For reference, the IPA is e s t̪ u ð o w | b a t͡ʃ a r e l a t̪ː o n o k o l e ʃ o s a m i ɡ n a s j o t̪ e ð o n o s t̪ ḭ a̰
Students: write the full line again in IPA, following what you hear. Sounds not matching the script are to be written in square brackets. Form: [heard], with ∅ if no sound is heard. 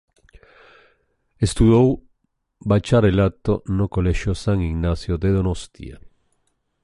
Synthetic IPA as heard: e s t̪ u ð o w | b a t͡ʃ a [ɾ] e l a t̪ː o n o k o l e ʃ o s a [ŋ] i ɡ n a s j o [d̪] e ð o n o s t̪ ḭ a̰